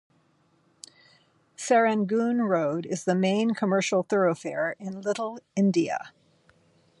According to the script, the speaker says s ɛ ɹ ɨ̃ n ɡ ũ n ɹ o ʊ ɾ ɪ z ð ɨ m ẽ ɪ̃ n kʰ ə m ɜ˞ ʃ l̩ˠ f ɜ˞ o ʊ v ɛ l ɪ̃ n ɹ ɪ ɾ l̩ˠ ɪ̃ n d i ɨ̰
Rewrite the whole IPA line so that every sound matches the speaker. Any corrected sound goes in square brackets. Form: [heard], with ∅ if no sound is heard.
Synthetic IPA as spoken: s ɛ ɹ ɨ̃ n ɡ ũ n ɹ o ʊ ɾ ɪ z ð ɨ m ẽ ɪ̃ n kʰ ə m ɜ˞ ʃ l̩ˠ [θ] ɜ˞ o ʊ [f] ɛ [ɹ] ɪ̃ n [l] ɪ ɾ l̩ˠ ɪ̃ n d i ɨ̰